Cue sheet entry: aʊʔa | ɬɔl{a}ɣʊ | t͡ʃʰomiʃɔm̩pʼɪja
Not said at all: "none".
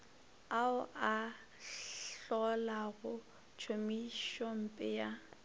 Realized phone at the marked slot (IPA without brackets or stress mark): a